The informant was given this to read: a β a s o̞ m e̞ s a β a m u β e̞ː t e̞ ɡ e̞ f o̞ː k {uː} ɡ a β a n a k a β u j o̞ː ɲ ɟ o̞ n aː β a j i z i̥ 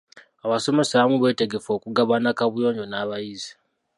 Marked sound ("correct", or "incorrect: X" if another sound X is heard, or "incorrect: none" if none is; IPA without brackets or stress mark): incorrect: u